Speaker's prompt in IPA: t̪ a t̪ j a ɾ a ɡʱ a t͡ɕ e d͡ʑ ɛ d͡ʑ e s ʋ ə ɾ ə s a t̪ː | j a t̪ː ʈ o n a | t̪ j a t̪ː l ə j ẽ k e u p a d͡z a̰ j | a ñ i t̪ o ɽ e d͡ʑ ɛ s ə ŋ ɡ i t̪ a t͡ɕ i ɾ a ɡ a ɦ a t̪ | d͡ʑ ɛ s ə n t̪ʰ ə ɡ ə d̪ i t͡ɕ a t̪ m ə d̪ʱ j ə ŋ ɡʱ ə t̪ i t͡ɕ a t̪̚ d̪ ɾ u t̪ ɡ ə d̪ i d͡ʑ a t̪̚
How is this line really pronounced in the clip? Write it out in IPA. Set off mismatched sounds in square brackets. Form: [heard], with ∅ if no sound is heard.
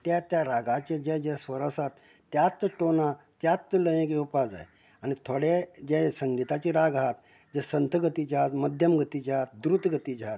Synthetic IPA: t̪ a t̪ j a ɾ a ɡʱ a t͡ɕ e d͡ʑ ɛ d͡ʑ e s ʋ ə ɾ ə s a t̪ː | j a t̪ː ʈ o n a | t̪ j a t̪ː l ə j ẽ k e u p a d͡z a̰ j | a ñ i [t̪ʰ] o ɽ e d͡ʑ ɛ s ə ŋ ɡ i t̪ a t͡ɕ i ɾ a ɡ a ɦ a t̪ | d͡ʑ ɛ s ə n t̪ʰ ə ɡ ə [t̪] i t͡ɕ a t̪ m ə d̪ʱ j ə [m] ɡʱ ə t̪ i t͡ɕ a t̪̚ d̪ ɾ u t̪ ɡ ə [t̪] i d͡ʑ a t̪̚